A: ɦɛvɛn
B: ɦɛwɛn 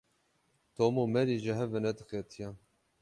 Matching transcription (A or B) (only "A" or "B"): A